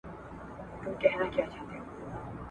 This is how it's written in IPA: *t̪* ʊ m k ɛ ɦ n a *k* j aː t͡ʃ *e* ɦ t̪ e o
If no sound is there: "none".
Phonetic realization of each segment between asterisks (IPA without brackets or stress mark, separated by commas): t̪, k, a